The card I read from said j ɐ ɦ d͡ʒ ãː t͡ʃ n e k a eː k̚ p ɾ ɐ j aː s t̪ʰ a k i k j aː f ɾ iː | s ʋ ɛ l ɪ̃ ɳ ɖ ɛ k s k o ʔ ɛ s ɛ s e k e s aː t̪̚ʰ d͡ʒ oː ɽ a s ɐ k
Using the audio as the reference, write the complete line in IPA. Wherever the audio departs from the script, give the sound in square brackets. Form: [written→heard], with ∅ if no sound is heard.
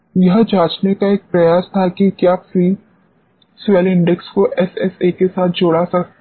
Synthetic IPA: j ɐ ɦ d͡ʒ [ãː→aː] t͡ʃ n e k a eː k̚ p ɾ ɐ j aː s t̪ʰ a k i k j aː f ɾ iː | s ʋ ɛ l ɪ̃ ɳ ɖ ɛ k s k o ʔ ɛ s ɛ s e k e s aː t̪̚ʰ d͡ʒ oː ɽ a s ɐ k